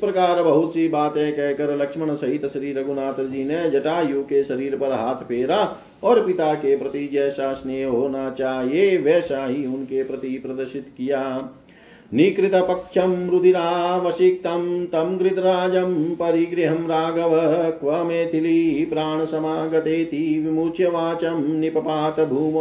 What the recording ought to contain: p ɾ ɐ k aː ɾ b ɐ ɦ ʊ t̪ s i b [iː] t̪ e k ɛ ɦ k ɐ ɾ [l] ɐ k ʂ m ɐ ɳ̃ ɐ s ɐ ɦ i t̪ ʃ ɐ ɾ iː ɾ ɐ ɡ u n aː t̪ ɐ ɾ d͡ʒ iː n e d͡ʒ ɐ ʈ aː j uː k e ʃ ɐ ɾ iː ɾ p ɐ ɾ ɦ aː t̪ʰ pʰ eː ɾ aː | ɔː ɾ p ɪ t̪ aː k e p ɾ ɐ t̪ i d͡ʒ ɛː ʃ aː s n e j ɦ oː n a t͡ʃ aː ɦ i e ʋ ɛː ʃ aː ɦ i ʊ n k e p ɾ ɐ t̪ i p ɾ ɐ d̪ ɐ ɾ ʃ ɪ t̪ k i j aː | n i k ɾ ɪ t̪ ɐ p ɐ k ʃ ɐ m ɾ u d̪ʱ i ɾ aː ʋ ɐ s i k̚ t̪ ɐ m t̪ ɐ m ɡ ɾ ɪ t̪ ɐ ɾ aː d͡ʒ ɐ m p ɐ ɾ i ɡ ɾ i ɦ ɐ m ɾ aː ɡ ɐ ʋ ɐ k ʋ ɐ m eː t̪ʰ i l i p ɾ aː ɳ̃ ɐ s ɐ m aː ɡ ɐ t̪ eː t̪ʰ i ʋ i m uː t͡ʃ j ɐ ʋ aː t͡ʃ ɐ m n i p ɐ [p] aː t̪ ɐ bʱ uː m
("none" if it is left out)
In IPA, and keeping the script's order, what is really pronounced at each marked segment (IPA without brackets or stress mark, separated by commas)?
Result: aː, l, p